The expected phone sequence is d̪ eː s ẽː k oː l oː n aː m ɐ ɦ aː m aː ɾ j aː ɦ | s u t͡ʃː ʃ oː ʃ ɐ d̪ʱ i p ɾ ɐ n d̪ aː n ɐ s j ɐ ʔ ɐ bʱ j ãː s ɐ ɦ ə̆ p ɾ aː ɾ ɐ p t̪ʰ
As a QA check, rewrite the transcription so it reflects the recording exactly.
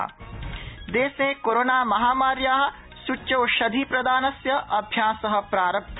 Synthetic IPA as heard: d̪ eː s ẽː k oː ɾ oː n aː m ɐ ɦ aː m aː ɾ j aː ɦ | s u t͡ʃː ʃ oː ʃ ɐ d̪ʱ i p ɾ ɐ d̪ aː n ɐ s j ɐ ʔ ɐ bʱ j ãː s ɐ ɦ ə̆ p ɾ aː ɾ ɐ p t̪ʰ